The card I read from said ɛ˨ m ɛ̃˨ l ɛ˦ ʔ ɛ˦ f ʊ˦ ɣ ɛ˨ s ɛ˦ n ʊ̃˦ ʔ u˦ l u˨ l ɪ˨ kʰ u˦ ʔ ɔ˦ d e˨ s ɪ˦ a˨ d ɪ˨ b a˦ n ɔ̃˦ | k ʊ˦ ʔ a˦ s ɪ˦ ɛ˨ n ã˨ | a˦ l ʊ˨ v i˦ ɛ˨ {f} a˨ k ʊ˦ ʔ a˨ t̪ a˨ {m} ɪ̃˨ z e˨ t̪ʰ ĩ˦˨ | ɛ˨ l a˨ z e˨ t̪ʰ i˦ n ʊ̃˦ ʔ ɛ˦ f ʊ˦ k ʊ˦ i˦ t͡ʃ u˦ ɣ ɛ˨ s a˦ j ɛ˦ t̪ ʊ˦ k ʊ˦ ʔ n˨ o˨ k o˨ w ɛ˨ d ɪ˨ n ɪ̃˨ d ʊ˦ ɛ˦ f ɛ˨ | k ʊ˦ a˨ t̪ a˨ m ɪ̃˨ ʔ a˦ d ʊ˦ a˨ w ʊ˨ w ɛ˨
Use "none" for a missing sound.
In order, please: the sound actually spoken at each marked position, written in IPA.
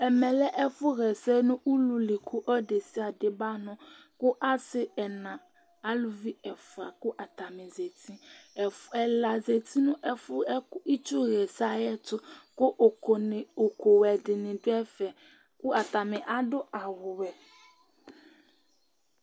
f, m

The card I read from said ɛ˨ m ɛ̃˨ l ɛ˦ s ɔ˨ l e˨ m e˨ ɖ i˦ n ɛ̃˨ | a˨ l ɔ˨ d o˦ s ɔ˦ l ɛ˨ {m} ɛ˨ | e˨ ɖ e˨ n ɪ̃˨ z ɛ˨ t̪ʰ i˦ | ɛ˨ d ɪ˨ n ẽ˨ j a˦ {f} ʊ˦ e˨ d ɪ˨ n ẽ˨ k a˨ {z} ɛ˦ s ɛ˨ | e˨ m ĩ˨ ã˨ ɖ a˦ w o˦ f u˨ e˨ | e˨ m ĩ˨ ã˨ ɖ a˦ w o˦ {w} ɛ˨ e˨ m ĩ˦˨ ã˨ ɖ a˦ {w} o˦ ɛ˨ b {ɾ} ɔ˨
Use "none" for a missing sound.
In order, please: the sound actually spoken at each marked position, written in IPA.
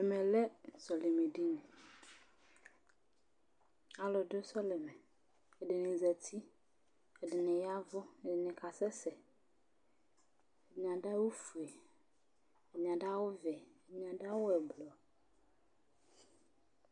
m, v, s, v, w, l

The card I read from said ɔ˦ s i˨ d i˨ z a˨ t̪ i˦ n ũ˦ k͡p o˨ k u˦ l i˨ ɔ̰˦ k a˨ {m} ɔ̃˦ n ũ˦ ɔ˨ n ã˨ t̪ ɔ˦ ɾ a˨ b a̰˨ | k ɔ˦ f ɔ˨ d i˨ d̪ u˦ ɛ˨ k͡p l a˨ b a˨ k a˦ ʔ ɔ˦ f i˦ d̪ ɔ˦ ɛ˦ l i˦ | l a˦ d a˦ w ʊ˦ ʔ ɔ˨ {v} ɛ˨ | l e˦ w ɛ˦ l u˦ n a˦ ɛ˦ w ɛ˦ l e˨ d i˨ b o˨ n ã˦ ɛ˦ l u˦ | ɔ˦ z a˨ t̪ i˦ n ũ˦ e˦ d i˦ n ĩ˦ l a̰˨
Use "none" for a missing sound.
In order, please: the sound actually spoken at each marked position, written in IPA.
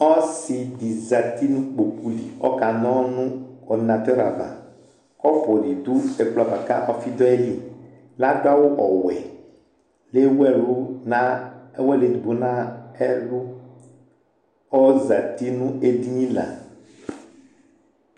n, w

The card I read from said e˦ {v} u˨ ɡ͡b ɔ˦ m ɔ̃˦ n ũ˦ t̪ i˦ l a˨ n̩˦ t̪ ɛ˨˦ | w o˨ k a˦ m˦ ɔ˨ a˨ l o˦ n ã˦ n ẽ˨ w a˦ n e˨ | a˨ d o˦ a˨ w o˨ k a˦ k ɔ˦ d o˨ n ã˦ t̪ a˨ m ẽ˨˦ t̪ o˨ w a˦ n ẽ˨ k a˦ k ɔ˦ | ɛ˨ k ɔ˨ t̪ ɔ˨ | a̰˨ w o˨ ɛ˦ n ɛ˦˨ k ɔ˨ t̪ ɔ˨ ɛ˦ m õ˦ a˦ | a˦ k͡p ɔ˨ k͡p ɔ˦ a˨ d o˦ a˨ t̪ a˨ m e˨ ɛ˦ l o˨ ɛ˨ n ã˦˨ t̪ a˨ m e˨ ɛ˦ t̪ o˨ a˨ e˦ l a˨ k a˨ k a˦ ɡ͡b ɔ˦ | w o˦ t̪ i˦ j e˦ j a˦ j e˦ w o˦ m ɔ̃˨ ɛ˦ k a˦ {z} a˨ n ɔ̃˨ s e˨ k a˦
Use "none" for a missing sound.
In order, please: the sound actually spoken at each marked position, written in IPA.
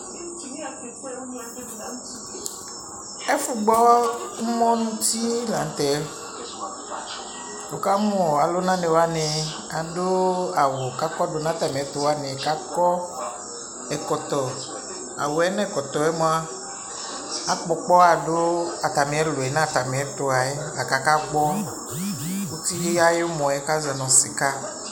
f, z

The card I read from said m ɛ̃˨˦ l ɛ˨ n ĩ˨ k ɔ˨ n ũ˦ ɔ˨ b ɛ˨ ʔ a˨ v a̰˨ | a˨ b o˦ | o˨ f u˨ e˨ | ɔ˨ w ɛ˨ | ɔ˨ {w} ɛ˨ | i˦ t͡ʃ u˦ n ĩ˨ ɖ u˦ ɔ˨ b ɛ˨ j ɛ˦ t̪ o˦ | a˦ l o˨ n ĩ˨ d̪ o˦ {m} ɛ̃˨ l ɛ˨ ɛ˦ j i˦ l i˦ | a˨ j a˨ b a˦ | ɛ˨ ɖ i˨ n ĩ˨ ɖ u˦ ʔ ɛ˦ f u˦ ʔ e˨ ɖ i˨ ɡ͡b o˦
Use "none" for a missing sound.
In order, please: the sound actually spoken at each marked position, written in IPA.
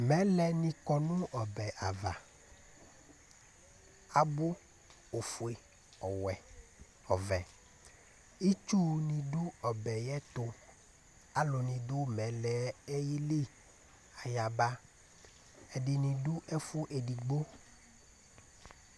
v, m

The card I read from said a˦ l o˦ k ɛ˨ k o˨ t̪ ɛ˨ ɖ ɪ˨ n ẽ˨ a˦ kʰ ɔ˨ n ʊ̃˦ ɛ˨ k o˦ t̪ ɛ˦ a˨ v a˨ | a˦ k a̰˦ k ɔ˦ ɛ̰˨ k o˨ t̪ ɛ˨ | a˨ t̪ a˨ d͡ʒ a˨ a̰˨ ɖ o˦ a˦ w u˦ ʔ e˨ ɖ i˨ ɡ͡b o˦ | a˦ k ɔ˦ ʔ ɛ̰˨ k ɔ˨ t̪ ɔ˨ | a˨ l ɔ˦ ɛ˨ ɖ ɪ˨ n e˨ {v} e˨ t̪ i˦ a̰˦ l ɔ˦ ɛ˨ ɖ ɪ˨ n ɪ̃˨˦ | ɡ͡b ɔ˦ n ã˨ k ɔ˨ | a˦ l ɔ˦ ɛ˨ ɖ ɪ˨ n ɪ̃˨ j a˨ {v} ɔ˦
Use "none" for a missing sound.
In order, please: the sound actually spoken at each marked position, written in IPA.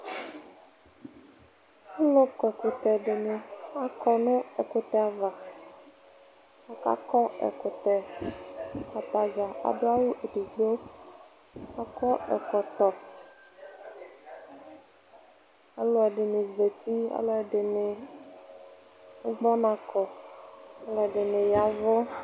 z, v

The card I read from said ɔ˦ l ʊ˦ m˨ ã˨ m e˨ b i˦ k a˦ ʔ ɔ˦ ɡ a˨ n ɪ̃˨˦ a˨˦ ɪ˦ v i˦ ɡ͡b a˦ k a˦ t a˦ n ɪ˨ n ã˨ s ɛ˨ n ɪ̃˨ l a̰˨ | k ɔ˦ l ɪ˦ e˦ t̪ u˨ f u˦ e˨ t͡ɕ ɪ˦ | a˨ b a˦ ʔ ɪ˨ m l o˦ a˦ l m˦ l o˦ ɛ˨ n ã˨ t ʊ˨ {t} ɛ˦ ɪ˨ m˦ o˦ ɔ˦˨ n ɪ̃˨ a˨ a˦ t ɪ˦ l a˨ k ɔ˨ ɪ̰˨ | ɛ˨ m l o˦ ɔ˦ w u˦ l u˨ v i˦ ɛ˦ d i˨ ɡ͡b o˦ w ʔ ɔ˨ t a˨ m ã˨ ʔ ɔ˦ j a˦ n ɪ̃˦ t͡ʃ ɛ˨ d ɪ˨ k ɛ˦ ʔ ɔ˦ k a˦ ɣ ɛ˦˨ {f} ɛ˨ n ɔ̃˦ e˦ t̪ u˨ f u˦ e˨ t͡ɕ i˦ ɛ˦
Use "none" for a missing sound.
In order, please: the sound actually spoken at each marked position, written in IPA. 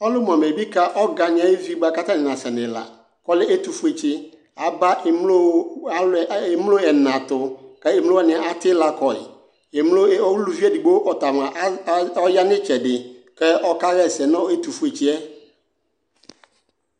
k, s

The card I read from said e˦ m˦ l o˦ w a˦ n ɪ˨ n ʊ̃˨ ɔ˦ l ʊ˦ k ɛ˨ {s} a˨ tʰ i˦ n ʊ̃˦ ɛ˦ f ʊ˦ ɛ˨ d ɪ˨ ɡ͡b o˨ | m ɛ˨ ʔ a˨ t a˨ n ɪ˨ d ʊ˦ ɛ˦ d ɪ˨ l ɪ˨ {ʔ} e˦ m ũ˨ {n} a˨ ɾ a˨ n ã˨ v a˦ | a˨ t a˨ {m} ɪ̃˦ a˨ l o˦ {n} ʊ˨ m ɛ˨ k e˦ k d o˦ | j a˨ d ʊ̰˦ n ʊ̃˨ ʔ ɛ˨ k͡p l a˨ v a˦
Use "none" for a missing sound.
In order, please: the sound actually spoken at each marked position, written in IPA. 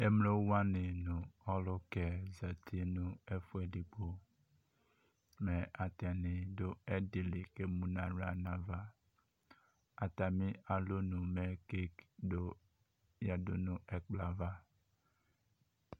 z, k, n, m, n

